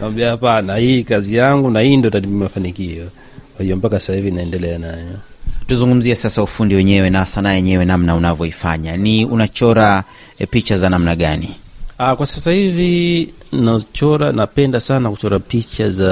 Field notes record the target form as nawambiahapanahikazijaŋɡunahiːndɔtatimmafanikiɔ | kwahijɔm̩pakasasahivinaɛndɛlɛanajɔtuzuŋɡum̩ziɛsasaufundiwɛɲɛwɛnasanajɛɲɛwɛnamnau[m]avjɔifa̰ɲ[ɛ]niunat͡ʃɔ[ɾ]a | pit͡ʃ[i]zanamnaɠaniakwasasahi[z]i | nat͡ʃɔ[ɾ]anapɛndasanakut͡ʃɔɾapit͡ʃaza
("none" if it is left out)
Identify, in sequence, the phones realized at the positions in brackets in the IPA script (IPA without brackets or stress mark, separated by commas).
n, a, ɾ, a, v, ɾ